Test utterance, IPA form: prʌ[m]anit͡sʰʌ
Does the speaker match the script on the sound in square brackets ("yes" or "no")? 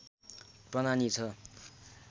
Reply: no